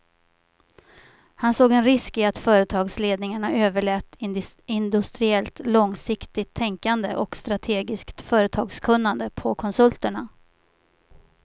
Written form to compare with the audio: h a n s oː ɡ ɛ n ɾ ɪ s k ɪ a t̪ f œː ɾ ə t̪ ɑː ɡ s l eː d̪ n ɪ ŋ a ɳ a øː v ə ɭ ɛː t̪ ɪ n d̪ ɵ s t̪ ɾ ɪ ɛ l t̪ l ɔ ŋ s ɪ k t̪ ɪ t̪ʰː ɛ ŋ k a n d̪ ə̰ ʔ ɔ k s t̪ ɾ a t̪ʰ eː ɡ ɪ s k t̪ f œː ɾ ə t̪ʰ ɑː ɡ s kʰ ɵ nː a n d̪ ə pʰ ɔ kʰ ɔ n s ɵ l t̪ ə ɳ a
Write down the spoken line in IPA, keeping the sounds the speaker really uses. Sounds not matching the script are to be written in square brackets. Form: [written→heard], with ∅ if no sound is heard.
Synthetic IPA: h a n s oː ɡ ɛ n ɾ ɪ s k ɪ a t̪ f œː ɾ ə [t̪→t̪ʰ] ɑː ɡ s l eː d̪ n ɪ ŋ a ɳ a øː v ə ɭ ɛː t̪ ɪ n d̪ ɵ s t̪ ɾ ɪ ɛ l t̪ l ɔ ŋ s ɪ k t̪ ɪ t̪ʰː ɛ ŋ k a n d̪ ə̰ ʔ ɔ k s t̪ ɾ a t̪ʰ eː ɡ ɪ s k t̪ f œː ɾ ə t̪ʰ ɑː ɡ s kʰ ɵ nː a n d̪ ə pʰ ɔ kʰ ɔ n s ɵ l t̪ ə ɳ a